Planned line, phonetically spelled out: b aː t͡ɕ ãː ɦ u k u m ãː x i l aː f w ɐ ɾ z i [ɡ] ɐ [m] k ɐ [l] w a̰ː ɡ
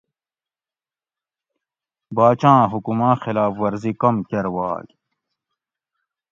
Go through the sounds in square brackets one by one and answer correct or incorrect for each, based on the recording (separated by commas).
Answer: incorrect, correct, incorrect